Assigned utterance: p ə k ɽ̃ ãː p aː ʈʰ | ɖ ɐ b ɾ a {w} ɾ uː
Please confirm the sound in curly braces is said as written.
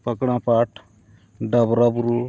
no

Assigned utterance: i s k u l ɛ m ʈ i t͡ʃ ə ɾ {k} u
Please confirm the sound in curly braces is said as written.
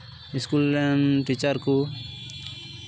yes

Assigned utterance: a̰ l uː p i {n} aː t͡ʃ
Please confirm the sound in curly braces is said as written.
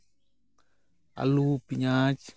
no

